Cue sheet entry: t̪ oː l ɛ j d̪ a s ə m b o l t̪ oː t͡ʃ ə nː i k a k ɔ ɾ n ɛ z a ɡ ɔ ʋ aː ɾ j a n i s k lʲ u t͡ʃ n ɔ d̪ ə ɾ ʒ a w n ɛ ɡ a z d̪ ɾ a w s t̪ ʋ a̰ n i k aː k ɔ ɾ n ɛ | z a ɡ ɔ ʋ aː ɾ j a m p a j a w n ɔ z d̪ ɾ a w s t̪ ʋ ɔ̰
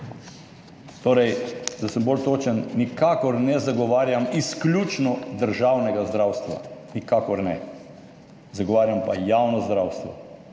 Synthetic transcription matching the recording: t̪ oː ɾ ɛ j d̪ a s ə m b o l t̪ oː t͡ʃ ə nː i k a k ɔ ɾ n ɛ z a ɡ ɔ ʋ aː ɾ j a m i s k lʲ u t͡ʃ n ɔ d̪ ə ɾ ʒ a w n ɛ ɡ a z d̪ ɾ a w s t̪ ʋ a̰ n i k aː k ɔ ɾ n ɛ | z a ɡ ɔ ʋ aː ɾ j a m p a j a w n ɔ z d̪ ɾ a w s t̪ ʋ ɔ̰